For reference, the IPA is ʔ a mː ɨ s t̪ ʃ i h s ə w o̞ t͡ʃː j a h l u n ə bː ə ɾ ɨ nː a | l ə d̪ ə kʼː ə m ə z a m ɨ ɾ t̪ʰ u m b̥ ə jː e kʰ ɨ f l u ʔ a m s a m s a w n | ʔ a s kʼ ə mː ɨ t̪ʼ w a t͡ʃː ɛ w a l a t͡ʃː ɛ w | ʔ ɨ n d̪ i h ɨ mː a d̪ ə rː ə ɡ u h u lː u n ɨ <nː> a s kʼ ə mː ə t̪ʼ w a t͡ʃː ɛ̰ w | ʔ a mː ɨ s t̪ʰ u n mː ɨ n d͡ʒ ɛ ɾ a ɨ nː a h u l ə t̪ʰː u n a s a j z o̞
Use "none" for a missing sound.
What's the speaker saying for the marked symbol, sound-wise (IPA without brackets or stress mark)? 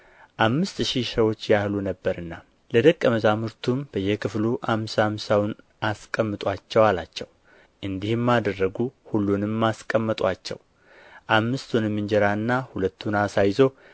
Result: mː